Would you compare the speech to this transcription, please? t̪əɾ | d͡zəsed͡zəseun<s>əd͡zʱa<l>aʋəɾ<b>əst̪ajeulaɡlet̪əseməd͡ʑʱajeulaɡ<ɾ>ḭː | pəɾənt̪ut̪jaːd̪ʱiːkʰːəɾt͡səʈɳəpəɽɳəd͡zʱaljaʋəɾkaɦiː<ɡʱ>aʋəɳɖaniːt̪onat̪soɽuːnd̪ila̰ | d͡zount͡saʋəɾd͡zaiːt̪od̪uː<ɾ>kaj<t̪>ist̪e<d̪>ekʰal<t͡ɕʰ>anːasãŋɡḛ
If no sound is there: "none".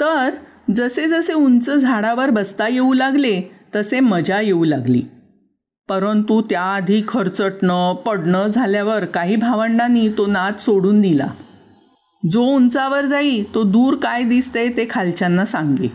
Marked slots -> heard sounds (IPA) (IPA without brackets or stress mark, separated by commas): t͡s, ɽ, b, l, bʱ, ɾ, d̪, t̪, t͡ɕ